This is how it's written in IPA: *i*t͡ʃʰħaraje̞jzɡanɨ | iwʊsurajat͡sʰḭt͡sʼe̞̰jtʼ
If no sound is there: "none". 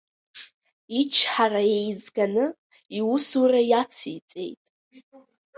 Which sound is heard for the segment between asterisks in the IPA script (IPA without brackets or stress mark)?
i